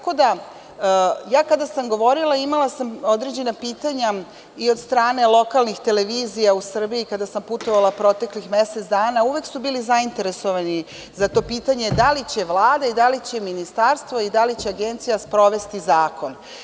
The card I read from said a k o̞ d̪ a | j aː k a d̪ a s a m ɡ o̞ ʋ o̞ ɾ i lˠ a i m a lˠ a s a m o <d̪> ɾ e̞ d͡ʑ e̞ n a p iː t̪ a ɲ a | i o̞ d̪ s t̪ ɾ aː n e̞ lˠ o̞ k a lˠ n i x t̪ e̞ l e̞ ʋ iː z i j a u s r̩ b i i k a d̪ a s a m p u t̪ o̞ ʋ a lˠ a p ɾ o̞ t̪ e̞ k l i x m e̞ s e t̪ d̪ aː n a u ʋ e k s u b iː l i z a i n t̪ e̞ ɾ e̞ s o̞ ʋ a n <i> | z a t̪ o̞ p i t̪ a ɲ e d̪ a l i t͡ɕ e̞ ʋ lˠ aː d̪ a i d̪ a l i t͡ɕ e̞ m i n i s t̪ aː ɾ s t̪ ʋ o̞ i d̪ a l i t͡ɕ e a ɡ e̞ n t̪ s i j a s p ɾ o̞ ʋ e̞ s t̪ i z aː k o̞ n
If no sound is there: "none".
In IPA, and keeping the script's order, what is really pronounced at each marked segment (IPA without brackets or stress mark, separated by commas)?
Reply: d̪, i